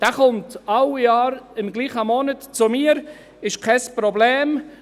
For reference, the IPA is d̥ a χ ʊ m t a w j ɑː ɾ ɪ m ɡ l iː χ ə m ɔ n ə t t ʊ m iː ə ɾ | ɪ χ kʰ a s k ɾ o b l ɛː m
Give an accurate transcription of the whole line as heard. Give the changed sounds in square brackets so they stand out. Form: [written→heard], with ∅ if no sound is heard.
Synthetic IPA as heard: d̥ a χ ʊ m t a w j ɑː ɾ ɪ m ɡ l iː χ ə m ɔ n ə t [t→t͡s] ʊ m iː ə ɾ | ɪ [χ→ʃ] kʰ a s [k→p] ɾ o b l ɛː m